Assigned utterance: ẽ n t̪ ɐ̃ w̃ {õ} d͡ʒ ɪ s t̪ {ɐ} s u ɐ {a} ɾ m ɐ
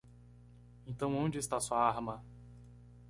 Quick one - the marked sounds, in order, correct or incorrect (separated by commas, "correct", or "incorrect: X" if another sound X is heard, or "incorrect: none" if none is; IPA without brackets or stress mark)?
correct, incorrect: a, correct